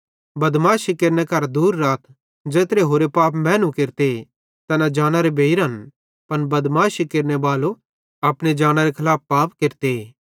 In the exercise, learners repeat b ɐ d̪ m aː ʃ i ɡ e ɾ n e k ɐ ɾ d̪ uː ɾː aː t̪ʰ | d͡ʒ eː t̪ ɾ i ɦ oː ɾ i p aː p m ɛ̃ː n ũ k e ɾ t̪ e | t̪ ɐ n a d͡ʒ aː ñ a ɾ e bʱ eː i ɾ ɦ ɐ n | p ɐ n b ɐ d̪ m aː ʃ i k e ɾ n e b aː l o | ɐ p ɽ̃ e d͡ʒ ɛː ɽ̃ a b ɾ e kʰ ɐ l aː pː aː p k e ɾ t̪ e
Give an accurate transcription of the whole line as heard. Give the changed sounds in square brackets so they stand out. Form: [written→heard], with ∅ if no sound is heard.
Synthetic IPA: b ɐ d̪ m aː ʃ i [ɡ→k] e ɾ n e k ɐ ɾ d̪ uː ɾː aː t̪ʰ | d͡ʒ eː t̪ ɾ [i→e] ɦ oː ɾ [i→e] p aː p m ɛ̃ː n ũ k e ɾ t̪ e | t̪ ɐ n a d͡ʒ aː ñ a ɾ e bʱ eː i ɾ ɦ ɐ n | p ɐ n b ɐ d̪ m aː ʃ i k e ɾ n e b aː l o | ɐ p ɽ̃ e d͡ʒ [ɛː→aː] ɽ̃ a [b→∅] ɾ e kʰ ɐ l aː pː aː p k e ɾ t̪ e